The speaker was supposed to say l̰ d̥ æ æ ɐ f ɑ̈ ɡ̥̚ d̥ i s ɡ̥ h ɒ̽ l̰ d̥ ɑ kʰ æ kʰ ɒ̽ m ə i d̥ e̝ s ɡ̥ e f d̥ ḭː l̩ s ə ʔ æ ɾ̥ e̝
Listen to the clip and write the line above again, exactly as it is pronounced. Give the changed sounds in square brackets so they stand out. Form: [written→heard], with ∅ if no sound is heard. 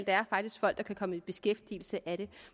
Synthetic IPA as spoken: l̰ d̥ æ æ ɐ f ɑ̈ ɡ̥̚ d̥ i s ɡ̥ [h→f] ɒ̽ l̰ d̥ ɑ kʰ æ kʰ ɒ̽ m ə i [d̥→b̥] e̝ s ɡ̥ e f d̥ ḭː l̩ s ə ʔ æ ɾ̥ e̝

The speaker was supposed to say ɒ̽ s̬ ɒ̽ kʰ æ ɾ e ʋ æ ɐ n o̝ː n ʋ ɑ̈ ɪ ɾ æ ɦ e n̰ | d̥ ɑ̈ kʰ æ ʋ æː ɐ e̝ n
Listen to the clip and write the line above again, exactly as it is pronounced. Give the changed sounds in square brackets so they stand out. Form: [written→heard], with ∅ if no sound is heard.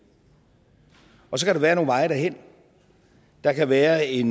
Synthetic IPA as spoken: ɒ̽ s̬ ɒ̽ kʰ æ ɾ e ʋ [æ→æː] ɐ n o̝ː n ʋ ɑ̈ ɪ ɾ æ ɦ e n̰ | d̥ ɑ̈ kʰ æ ʋ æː ɐ e̝ n

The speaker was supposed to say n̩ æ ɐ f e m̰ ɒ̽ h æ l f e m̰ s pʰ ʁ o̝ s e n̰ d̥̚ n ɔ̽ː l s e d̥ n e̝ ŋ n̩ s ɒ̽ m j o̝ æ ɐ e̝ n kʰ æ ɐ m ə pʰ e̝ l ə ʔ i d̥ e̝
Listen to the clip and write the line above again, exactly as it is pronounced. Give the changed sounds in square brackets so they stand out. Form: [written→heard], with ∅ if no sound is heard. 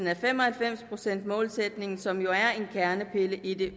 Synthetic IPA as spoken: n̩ æ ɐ f e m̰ ɒ̽ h æ l f e m̰ s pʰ ʁ o̝ s e n̰ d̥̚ [n→m] ɔ̽ː l s e d̥ n e̝ ŋ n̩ s ɒ̽ m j o̝ æ ɐ e̝ n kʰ æ ɐ [m→n] ə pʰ e̝ l ə ʔ i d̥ e̝

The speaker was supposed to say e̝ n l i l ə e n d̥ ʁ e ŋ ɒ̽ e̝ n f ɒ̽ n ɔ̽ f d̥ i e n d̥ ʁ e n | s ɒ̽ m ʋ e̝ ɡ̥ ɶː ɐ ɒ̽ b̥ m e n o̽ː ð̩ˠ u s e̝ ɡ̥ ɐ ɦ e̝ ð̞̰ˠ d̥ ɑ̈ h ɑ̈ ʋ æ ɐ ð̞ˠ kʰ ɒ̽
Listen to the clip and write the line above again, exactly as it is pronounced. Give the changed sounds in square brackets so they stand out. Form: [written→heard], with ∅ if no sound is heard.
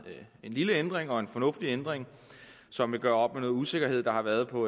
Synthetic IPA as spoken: e̝ n l i l ə e n d̥ ʁ e ŋ ɒ̽ e̝ n f ɒ̽ n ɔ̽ f d̥ i e n d̥ ʁ e [n→ŋ] | s ɒ̽ m ʋ e̝ ɡ̥ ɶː ɐ ɒ̽ b̥ m e n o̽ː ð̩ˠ u s e̝ ɡ̥ ɐ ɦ e̝ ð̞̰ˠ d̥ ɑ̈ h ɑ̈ ʋ æ ɐ ð̞ˠ [kʰ→pʰ] ɒ̽

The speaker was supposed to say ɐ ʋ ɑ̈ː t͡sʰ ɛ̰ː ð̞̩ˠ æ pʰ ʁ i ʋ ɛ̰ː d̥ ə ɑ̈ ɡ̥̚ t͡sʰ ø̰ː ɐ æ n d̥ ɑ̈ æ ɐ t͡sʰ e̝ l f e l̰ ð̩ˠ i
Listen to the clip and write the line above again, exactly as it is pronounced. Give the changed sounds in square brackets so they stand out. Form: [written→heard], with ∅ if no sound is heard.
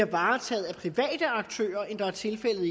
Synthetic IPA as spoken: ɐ ʋ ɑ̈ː t͡sʰ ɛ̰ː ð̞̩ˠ æ pʰ ʁ i ʋ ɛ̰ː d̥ ə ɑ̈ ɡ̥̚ t͡sʰ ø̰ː ɐ [æ→e] n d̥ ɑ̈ æ ɐ t͡sʰ e̝ l f e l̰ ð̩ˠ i

